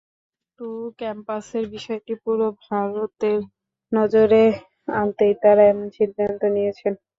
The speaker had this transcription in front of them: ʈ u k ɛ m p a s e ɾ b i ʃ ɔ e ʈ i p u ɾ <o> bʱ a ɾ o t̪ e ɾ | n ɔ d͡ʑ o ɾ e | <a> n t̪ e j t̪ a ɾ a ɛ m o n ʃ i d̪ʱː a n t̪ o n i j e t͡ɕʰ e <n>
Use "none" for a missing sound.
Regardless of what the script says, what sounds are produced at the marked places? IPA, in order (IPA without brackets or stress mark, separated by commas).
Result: o, a, n